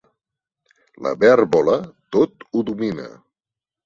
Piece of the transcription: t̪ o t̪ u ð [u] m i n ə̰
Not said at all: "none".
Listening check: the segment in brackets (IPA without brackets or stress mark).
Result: u